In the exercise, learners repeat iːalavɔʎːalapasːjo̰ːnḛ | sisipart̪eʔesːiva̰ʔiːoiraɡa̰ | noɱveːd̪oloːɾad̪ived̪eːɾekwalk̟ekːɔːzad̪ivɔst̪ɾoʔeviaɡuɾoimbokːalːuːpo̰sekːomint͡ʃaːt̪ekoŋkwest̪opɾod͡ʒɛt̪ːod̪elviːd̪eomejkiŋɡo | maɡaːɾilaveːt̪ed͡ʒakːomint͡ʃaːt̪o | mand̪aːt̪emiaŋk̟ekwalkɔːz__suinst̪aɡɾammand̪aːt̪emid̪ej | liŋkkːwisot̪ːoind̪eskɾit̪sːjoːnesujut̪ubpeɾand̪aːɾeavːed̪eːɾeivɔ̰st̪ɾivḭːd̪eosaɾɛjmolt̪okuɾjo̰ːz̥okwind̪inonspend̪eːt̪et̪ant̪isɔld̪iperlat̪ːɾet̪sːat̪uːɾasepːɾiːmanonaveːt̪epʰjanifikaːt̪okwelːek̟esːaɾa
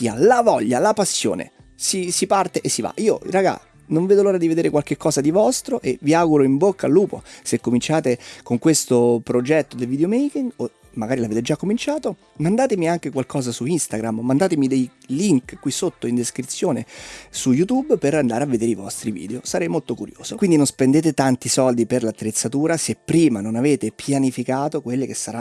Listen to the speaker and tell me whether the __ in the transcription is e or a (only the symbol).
a